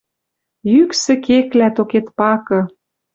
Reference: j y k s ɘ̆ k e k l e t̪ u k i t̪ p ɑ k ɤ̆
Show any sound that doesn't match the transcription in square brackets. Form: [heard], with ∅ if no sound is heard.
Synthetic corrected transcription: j y k s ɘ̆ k e k l [æ] t̪ [o] k [e] t̪ p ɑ k ɤ̆